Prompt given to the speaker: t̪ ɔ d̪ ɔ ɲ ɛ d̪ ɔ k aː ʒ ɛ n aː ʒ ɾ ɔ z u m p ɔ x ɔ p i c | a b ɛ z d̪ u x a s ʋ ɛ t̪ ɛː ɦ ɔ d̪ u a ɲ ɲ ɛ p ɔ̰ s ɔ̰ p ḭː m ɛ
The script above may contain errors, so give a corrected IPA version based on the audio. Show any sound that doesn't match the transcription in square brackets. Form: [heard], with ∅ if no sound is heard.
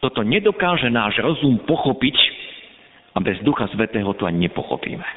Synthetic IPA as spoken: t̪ ɔ [t̪] ɔ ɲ ɛ d̪ ɔ k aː ʒ ɛ n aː ʒ ɾ ɔ z u m p ɔ x ɔ p i c | a b ɛ z d̪ u x a s ʋ ɛ t̪ ɛː ɦ ɔ [t̪] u a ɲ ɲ ɛ p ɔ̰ [x] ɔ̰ p ḭː m ɛ